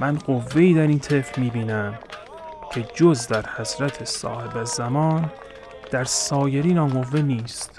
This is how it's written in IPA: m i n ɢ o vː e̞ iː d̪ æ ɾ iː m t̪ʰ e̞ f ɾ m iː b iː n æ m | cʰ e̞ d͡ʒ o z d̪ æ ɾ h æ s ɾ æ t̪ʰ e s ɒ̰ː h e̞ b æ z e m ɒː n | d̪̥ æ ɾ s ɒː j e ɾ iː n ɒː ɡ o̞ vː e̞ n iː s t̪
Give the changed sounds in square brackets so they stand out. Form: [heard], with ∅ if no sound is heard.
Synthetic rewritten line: m [æ] n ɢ o vː e̞ iː d̪ æ ɾ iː [n] t̪ʰ e̞ f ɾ m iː b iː n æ m | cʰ e̞ d͡ʒ o z d̪ æ ɾ h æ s ɾ æ t̪ʰ e s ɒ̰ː h e̞ b æ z [æ] m ɒː n | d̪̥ æ ɾ s ɒː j e ɾ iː n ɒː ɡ o̞ vː e̞ n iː s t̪